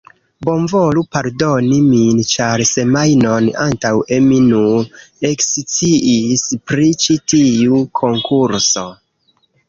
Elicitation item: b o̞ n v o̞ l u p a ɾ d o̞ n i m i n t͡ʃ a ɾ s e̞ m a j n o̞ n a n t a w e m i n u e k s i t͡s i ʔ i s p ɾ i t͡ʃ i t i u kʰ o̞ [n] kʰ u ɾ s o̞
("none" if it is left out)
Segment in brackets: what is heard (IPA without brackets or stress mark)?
ŋ